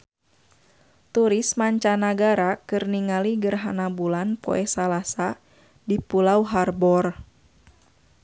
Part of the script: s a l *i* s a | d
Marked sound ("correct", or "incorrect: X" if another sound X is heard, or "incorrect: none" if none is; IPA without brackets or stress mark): incorrect: a